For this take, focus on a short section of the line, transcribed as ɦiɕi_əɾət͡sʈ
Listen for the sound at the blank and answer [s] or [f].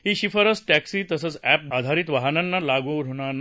f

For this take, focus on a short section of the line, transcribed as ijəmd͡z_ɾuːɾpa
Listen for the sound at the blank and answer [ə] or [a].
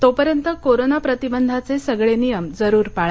ə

